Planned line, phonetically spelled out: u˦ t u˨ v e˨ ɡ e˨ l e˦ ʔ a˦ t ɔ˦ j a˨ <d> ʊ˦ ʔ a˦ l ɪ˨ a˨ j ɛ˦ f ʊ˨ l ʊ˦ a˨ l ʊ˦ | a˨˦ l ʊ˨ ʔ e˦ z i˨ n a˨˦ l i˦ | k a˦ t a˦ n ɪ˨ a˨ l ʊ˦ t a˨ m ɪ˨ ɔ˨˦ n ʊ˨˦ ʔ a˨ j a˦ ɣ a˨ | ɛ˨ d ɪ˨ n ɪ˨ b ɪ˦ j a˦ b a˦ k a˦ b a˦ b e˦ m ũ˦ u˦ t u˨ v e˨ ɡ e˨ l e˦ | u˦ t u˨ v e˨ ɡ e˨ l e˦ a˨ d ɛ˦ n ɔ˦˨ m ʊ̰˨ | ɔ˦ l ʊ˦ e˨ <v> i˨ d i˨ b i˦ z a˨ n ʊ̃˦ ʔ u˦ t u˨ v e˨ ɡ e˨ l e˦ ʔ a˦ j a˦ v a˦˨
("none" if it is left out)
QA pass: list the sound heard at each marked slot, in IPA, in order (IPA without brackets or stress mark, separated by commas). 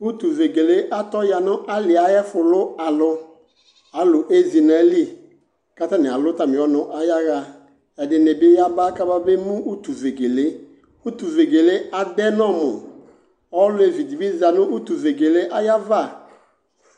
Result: n, v